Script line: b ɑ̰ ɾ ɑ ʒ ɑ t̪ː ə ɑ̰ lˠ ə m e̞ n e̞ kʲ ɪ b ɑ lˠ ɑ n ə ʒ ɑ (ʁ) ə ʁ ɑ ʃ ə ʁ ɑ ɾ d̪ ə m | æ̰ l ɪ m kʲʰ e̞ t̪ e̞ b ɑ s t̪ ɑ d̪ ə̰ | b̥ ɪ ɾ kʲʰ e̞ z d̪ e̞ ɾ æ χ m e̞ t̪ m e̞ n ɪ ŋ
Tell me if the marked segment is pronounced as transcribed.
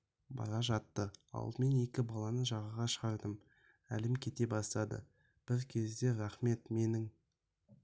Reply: yes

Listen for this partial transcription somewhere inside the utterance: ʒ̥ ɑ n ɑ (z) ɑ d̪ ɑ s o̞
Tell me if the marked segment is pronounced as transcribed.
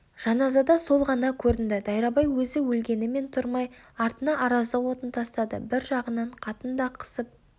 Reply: yes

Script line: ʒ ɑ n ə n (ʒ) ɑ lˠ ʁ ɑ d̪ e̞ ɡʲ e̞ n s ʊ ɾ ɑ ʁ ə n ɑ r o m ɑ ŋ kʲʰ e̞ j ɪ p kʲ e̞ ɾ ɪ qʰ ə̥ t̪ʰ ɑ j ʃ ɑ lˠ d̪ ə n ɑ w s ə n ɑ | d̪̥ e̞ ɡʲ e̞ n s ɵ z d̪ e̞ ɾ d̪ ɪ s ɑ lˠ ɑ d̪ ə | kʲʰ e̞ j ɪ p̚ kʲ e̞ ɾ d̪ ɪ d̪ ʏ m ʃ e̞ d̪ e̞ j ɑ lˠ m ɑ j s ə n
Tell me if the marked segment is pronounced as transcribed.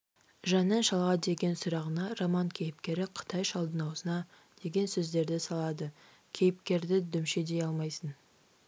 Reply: no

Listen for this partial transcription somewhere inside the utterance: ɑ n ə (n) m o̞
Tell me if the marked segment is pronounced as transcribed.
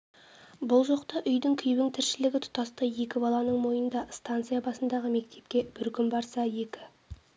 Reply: no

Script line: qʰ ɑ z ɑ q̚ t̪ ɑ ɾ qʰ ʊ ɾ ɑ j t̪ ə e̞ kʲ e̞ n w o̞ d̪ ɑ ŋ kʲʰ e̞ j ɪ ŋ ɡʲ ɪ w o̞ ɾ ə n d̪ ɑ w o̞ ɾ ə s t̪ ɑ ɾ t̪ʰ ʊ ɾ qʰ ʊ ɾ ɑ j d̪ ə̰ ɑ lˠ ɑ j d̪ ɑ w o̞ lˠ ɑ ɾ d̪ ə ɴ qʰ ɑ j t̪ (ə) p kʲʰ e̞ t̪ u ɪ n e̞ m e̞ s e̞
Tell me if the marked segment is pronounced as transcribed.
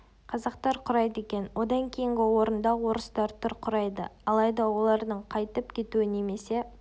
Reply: yes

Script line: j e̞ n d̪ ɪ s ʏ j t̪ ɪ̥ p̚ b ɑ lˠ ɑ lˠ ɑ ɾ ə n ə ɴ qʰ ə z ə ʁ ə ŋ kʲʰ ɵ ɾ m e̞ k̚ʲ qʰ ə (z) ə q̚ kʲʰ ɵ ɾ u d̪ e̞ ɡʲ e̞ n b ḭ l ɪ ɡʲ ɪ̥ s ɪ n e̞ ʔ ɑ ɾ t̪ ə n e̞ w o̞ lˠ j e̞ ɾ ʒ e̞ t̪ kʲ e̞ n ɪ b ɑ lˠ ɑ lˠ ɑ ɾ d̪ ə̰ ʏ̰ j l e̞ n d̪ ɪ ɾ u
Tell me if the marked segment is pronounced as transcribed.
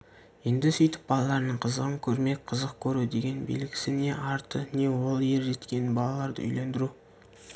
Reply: yes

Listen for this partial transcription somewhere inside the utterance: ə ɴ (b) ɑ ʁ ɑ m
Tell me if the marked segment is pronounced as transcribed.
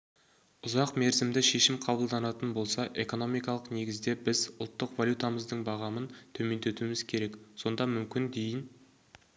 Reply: yes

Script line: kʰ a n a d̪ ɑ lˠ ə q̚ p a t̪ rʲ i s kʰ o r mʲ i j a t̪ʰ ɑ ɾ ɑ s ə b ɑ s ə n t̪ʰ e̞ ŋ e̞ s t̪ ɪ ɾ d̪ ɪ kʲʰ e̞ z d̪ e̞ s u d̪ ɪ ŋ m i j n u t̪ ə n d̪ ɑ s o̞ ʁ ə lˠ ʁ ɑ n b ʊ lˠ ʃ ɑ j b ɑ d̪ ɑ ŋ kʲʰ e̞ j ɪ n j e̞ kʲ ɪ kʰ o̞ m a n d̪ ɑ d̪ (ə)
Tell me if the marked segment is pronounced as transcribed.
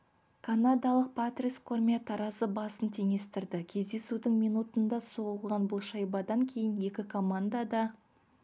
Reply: no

